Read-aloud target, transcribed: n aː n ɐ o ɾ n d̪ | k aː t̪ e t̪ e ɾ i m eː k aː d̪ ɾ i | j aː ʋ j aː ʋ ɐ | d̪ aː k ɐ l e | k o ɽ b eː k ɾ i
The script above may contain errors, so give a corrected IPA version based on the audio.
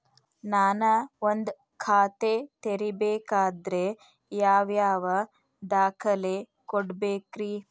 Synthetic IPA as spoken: n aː n ɐ o n d̪ | kʰ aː t̪ e t̪ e ɾ i b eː k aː d̪ ɾ e | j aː ʋ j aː ʋ ɐ | d̪ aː kʰ ɐ l e | k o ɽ b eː k ɾ i